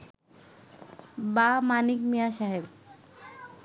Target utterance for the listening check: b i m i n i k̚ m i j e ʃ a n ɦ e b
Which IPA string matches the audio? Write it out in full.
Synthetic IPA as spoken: b a m a n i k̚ m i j a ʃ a ɦ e b